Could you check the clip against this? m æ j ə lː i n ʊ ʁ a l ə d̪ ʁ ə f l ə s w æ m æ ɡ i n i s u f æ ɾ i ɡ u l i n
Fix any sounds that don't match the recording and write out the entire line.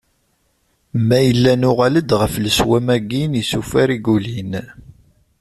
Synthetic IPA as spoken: m æ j ə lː æ n ʊ ʁ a l ə d̪ ʁ ə f l ə s w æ m æ ɡ i n i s u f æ ɾ i ɡ u l i n